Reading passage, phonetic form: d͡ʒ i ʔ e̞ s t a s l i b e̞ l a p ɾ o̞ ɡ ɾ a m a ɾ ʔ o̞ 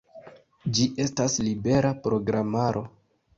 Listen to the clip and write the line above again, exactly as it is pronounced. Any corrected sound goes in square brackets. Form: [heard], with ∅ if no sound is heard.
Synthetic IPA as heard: d͡ʒ i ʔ e̞ s t a s l i b e̞ [ɾ] a p ɾ o̞ ɡ ɾ a m a ɾ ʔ o̞